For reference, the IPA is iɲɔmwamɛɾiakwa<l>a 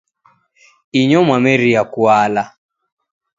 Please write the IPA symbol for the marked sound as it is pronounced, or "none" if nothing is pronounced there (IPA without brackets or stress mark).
l